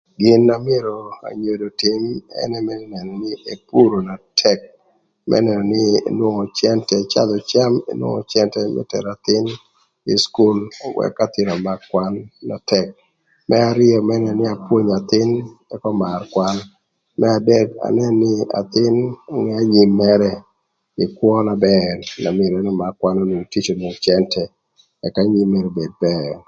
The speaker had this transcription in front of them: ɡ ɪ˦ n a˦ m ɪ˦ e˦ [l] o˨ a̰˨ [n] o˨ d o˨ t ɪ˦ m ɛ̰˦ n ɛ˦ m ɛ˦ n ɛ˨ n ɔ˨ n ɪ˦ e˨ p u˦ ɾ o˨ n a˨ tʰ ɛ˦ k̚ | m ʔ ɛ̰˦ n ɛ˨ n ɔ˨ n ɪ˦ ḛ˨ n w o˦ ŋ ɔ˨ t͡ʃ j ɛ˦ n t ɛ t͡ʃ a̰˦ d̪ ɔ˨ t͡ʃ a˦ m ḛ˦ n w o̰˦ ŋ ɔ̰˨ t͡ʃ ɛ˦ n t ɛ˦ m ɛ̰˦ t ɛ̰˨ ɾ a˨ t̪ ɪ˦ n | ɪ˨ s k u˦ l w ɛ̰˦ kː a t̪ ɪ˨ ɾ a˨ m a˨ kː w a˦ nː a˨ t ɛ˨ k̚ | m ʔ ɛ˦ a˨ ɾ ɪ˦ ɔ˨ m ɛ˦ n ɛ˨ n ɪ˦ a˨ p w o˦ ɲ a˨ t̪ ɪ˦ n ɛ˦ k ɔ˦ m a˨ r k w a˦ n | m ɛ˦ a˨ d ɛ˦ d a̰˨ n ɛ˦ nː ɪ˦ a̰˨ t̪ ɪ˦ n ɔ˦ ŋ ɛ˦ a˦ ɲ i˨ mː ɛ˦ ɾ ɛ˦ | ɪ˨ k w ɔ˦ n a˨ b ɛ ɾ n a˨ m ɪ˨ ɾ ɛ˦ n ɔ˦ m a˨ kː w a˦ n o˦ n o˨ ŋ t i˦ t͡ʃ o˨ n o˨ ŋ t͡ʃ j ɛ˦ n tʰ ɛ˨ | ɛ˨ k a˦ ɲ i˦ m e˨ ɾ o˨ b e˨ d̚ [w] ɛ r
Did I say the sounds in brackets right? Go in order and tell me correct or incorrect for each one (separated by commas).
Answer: incorrect, incorrect, incorrect